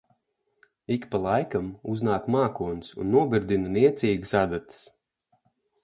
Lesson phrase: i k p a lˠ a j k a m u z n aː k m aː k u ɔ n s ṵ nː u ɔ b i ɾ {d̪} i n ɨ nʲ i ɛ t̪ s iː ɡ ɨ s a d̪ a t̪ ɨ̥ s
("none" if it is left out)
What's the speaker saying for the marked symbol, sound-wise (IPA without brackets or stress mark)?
d̪